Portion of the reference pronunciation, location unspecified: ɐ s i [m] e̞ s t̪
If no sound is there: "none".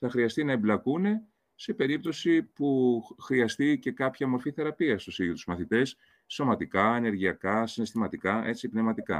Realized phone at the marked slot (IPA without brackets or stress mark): n